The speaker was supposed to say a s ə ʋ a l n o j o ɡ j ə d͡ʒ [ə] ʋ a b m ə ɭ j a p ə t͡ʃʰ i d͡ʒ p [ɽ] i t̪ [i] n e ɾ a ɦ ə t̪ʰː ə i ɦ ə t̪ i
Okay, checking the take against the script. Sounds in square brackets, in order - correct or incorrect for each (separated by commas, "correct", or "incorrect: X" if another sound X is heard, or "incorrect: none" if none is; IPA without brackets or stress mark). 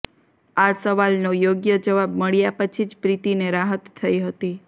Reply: correct, incorrect: ɾ, correct